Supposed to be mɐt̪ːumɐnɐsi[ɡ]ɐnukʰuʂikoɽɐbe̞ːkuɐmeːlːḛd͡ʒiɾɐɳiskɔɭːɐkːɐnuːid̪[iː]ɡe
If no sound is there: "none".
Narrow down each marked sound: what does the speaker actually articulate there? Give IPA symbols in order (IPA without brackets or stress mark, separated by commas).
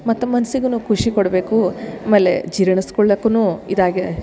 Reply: ɡ, aː